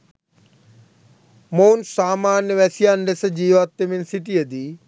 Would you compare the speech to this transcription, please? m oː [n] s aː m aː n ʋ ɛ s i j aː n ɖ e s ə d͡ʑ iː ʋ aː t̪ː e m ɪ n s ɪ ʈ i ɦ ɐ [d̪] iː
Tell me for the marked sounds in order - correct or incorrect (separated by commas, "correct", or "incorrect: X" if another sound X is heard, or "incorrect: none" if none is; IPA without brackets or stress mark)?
correct, correct